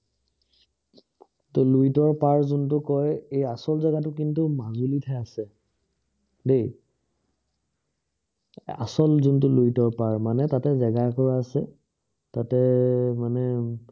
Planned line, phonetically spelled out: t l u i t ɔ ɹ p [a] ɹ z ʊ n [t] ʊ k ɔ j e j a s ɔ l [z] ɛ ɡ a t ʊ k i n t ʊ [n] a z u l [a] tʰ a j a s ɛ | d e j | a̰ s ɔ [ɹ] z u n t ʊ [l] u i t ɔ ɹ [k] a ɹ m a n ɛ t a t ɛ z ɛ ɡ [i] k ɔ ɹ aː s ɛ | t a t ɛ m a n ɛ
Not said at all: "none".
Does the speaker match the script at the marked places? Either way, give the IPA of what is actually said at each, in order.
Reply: a, t, z, m, i, l, l, p, a

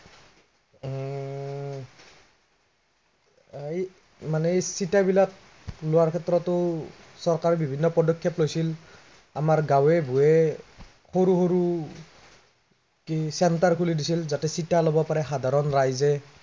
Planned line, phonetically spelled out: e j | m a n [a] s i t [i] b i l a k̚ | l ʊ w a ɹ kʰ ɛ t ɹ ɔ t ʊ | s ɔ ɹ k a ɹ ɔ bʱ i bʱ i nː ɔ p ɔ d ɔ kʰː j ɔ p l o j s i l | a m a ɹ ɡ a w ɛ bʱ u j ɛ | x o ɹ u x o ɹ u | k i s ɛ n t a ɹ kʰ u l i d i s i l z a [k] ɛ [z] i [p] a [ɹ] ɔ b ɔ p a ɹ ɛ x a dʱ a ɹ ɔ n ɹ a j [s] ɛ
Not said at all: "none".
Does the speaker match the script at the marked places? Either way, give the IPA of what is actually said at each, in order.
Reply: ɛ, a, t, s, t, l, z

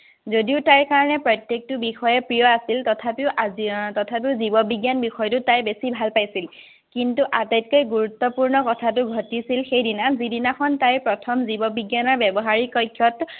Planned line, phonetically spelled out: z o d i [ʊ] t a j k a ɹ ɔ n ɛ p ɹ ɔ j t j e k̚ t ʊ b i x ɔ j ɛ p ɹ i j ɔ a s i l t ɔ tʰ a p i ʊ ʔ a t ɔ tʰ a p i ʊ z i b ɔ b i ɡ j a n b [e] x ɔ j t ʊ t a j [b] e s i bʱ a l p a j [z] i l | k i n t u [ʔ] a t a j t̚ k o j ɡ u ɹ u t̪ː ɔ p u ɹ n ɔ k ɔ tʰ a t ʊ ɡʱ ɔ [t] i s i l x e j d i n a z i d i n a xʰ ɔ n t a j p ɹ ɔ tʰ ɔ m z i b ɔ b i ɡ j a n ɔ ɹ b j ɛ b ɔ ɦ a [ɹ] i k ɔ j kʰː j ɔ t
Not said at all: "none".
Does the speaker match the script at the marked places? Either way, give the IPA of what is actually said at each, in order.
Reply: ʊ, i, b, s, ʔ, t, ɹ

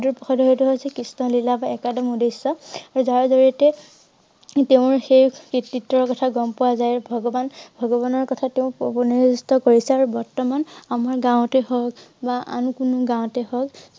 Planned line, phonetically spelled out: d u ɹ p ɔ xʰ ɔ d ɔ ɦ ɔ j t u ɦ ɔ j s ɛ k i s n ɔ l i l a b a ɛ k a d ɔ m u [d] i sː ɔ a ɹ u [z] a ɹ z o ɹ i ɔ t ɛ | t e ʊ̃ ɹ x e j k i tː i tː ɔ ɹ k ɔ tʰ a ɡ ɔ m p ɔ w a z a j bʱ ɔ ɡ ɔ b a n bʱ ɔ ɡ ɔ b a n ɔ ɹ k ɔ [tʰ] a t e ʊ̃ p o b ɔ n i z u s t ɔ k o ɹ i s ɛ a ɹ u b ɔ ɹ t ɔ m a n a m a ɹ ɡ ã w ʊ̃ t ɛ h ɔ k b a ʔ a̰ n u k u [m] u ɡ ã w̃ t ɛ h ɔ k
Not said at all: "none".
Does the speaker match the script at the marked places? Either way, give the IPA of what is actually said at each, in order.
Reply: d, z, tʰ, n

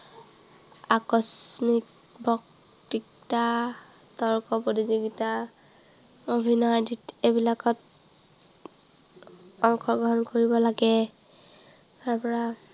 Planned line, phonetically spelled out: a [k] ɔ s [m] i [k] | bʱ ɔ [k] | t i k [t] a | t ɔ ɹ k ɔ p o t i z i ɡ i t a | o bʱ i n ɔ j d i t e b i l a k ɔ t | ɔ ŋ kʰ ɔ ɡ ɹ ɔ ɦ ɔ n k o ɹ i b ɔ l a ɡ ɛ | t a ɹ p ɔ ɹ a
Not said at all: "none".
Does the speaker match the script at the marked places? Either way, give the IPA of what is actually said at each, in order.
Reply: k, m, k, k, t

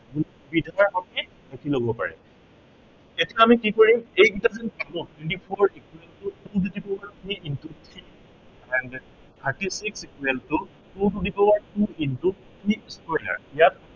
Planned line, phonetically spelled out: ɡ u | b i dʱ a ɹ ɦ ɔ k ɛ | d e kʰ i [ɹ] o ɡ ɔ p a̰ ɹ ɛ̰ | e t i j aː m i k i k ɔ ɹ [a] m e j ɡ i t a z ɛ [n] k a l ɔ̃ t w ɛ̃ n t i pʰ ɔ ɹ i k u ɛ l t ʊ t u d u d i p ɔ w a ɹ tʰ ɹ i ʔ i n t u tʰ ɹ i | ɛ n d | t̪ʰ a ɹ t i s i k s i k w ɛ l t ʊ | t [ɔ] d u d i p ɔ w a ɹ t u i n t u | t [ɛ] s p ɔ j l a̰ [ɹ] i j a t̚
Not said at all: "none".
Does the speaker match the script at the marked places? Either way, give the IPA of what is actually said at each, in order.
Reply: l, i, n, u, i, ɹ

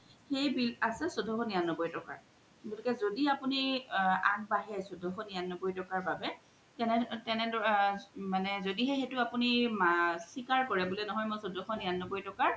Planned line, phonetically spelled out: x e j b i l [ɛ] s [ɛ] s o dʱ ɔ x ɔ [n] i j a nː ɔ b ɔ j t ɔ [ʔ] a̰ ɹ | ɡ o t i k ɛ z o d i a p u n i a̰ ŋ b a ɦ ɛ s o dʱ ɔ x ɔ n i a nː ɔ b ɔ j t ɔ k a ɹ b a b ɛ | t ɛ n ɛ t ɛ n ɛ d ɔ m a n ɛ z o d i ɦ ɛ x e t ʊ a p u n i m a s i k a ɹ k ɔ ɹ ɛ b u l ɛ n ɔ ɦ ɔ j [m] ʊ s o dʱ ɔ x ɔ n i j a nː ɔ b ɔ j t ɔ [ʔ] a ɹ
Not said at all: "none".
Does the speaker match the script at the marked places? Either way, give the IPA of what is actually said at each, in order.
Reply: a, ɛ, n, k, m, k

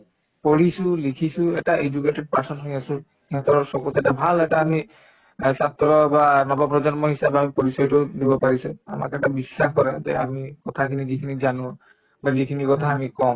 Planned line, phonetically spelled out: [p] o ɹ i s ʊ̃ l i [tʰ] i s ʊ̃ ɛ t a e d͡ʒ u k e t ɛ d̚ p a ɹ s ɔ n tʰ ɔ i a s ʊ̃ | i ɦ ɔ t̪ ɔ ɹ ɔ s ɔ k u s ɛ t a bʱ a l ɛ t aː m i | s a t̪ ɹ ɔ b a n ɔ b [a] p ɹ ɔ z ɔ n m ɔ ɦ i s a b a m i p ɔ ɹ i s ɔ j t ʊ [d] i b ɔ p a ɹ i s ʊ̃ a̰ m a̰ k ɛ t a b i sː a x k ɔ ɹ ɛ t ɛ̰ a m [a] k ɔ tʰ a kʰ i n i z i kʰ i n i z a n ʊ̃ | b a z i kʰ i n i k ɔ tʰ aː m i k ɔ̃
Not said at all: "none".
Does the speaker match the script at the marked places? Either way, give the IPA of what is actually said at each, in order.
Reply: p, kʰ, a, d, i

